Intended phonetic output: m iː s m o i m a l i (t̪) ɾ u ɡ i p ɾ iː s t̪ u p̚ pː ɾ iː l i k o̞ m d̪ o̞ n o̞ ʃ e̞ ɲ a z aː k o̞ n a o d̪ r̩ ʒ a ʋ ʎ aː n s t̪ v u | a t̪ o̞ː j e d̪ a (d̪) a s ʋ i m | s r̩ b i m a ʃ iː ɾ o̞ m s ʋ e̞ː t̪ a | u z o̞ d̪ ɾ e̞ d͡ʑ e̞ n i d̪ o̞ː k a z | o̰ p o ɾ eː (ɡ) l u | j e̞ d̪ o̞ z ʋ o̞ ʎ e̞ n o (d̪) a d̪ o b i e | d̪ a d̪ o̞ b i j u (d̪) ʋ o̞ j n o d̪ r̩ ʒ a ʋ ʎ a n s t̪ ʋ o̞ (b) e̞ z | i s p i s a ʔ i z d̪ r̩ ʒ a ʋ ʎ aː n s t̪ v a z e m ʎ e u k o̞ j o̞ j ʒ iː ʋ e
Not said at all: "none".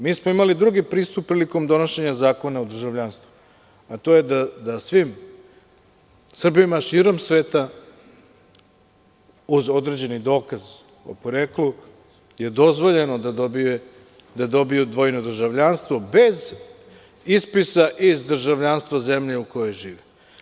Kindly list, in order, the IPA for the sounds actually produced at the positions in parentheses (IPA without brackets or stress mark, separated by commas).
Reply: d̪, d̪, k, d̪, d̪, b